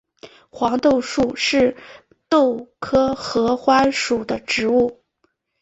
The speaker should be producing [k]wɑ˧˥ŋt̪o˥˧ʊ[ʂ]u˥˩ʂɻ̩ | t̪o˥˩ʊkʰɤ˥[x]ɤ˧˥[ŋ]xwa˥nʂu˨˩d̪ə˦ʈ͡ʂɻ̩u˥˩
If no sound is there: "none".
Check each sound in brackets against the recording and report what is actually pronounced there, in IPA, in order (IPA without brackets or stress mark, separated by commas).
x, ʂ, x, none